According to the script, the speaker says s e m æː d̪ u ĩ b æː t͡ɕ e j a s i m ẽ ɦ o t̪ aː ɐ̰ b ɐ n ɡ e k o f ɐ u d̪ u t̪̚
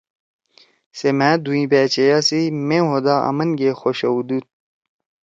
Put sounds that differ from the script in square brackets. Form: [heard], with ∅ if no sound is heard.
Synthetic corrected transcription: s e m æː d̪ u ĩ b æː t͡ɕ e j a s i m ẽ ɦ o [d̪] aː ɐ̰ [m] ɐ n ɡ e [x] o [ɕ] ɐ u d̪ u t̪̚